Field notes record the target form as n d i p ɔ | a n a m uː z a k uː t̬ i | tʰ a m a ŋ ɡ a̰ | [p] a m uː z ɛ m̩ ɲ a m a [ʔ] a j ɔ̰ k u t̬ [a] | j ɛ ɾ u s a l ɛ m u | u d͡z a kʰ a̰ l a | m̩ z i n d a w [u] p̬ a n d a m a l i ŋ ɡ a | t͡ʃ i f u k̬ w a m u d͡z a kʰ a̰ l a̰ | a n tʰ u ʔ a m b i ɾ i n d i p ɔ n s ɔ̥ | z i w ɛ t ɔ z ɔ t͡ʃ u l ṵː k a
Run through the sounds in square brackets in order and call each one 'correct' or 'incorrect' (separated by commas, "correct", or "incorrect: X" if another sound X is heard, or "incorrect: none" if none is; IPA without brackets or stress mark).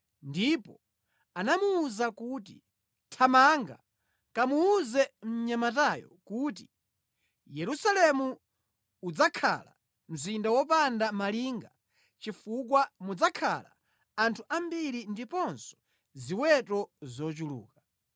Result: incorrect: k, incorrect: t, incorrect: i, incorrect: ɔ